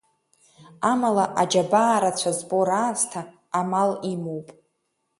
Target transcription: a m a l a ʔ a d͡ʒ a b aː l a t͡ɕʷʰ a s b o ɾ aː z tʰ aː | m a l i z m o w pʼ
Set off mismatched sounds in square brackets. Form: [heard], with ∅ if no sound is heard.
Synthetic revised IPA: a m a l a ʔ a d͡ʒ a b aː [ɾ] a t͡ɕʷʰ a [z] b o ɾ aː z tʰ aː | m a l i [∅] m o w pʼ